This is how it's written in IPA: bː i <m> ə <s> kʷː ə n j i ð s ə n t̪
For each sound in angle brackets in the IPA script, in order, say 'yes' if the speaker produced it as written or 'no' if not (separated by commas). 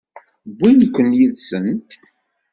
no, no